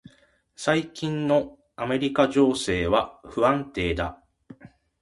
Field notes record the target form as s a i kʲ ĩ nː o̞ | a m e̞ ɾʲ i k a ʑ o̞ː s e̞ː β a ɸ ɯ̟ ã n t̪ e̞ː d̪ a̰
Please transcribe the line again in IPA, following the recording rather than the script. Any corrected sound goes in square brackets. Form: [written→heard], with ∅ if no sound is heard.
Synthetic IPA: s a i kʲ ĩ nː o̞ | a m e̞ ɾʲ i k a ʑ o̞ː s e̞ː β a ɸ ɯ̟ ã n t̪ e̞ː d̪ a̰